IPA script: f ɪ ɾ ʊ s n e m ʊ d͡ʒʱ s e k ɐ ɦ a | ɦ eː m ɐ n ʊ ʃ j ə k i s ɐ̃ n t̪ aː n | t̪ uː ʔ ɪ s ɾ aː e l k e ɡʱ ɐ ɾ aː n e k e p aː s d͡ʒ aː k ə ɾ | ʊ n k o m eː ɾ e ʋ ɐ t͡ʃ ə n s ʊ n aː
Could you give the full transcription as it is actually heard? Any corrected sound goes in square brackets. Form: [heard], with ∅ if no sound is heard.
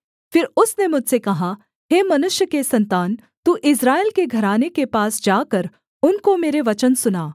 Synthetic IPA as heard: f ɪ ɾ ʊ s n e m ʊ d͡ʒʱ s e k ɐ ɦ a | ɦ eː m ɐ n ʊ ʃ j ə k [e] s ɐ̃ n t̪ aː n | t̪ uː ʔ ɪ s ɾ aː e l k e ɡʱ ɐ ɾ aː n e k e p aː s d͡ʒ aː k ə ɾ | ʊ n k o m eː ɾ e ʋ ɐ t͡ʃ ə n s ʊ n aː